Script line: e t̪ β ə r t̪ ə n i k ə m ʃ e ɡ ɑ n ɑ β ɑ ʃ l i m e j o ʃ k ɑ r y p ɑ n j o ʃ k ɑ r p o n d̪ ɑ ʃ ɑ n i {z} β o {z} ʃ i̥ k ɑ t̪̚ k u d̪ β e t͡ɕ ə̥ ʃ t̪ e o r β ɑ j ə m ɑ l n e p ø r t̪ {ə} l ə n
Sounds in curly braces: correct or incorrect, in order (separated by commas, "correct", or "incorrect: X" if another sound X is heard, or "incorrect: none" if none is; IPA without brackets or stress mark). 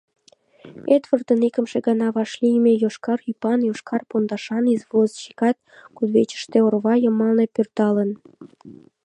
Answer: correct, correct, incorrect: ɑ